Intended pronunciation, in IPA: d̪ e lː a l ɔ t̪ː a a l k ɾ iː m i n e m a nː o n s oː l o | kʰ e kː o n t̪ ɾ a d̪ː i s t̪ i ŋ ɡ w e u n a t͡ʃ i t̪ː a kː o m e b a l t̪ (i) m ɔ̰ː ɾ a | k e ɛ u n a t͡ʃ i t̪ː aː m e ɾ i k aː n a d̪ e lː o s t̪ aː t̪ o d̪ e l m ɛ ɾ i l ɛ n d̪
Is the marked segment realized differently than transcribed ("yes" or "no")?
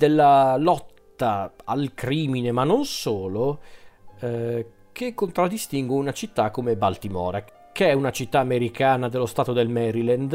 no